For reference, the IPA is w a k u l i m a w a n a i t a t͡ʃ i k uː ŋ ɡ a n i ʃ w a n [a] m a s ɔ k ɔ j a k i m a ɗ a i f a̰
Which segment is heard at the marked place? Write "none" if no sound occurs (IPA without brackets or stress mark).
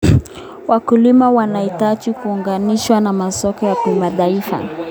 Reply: a